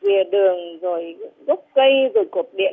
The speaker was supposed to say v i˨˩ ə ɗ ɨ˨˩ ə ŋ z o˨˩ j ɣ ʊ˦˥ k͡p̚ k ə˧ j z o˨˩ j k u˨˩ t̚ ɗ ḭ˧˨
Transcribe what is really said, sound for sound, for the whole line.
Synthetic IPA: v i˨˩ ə ɗ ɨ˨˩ ə ŋ z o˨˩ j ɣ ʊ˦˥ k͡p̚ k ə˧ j z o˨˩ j k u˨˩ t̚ ɗ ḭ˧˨